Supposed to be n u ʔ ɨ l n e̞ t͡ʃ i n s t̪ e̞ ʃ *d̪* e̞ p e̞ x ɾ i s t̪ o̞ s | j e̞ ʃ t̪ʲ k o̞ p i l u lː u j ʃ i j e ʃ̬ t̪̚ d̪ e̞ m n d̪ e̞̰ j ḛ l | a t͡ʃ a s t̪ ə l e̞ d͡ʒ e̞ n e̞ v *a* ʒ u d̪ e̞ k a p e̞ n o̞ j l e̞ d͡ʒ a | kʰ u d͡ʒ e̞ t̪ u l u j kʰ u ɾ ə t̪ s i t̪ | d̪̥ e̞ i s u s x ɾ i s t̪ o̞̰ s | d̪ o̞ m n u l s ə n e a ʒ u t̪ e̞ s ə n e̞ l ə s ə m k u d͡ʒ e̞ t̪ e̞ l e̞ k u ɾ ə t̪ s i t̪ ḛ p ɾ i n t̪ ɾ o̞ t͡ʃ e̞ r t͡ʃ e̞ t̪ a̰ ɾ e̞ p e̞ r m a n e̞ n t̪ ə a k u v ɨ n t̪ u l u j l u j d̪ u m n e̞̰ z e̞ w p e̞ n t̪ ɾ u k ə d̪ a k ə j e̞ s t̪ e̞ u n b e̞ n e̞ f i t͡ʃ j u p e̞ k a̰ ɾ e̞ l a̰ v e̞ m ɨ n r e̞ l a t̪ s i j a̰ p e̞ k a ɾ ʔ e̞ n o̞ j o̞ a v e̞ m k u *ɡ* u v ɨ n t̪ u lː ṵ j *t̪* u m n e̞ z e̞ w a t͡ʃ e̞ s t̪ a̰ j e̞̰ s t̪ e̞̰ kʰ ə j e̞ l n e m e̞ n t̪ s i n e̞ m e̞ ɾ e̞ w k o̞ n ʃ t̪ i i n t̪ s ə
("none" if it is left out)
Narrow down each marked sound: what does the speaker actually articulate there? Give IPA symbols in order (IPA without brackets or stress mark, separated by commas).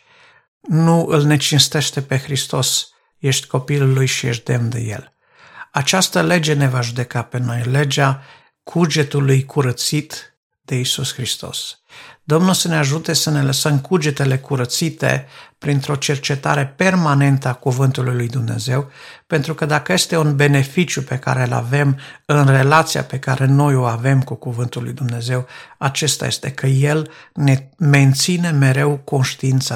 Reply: t̪, a, k, d̪